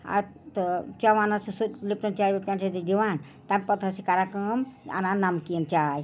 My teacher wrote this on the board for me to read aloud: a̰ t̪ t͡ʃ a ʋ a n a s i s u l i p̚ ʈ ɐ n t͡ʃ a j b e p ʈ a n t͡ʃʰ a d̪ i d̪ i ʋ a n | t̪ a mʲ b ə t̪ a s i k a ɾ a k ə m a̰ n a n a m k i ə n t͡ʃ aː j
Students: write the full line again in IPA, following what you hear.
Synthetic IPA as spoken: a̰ t̪ t͡ʃ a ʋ a n a s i s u l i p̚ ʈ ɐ n t͡ʃ a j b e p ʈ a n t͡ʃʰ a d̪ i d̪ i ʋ a n | t̪ a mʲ p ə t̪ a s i k a ɾ a k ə m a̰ n a n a m k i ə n t͡ʃ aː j